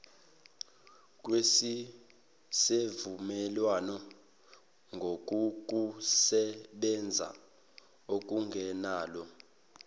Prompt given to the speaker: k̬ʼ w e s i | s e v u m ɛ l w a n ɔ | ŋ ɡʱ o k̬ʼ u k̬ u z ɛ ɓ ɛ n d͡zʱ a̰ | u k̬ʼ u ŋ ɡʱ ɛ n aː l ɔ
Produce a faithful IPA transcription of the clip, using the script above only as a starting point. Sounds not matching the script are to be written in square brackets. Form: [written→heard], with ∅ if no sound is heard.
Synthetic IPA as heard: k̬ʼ w e s i | s e v u m ɛ l w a n ɔ | ŋ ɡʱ o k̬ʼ u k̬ u [z→s] ɛ ɓ ɛ n d͡zʱ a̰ | [u→o] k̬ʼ u ŋ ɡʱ ɛ n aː l ɔ